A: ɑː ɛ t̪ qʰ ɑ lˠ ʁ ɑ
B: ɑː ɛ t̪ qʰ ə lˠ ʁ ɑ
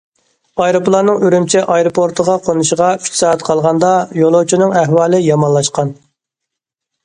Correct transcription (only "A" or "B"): A